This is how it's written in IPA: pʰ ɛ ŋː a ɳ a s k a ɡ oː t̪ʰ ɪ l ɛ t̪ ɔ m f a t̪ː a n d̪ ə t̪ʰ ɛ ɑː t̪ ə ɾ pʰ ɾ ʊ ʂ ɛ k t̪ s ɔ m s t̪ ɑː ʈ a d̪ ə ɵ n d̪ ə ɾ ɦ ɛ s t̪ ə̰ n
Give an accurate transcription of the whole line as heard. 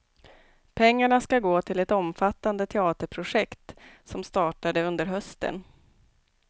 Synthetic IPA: pʰ ɛ ŋː a ɳ a s k a ɡ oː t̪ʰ ɪ l ɛ t̪ ɔ m f a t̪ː a n d̪ ə t̪ʰ ɛ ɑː t̪ ə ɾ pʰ ɾ ʊ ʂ ɛ k t̪ s ɔ m s t̪ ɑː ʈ a d̪ ə ɵ n d̪ ə ɾ ɦ œ s t̪ ə̰ n